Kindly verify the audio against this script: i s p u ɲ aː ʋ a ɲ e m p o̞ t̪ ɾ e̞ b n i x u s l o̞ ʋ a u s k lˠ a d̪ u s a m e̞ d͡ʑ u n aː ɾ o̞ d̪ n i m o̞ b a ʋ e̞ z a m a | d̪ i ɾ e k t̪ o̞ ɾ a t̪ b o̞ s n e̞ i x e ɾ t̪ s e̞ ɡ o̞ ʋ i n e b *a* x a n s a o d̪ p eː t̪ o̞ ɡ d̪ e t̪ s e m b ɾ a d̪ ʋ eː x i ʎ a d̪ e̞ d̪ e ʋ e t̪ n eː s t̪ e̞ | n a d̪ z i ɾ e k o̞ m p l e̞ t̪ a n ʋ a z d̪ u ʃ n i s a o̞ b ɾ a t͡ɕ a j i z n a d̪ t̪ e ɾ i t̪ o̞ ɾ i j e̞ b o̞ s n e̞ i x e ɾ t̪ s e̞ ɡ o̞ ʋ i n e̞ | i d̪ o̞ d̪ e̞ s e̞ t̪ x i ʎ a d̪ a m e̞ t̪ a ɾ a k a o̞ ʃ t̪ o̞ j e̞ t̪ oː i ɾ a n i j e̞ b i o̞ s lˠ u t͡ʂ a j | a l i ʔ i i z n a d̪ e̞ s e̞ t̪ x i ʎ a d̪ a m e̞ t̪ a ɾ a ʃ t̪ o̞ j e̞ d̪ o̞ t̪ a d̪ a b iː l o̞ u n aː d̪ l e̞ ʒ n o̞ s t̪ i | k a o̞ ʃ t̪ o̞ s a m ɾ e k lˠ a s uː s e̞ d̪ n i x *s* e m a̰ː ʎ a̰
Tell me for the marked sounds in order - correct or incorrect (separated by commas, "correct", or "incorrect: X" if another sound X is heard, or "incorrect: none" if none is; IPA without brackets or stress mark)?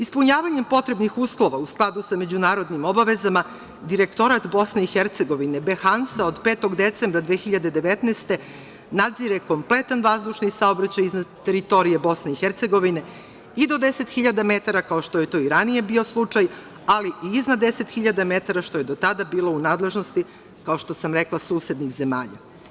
incorrect: e, incorrect: z